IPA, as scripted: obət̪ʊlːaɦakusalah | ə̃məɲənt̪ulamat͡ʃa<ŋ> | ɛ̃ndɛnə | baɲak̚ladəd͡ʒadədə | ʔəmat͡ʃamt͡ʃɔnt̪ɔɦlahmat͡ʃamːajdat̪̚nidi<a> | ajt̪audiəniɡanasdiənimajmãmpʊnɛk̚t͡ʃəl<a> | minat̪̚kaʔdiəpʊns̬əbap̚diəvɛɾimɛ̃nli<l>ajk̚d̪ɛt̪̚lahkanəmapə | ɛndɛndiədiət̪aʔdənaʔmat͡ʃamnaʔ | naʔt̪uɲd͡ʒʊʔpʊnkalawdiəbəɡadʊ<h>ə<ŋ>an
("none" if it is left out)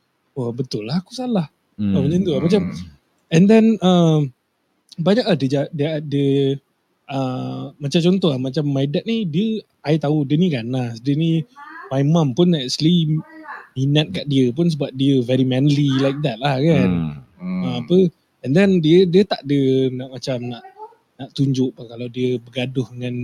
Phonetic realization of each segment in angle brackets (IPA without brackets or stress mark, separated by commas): m, ə, i, l, h, ŋ